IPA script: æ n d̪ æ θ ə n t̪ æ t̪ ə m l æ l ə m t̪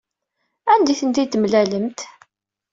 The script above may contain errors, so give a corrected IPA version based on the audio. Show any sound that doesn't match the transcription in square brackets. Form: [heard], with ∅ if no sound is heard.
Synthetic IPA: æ n d̪ [i] θ ə n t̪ [i] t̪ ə m l æ l ə m t̪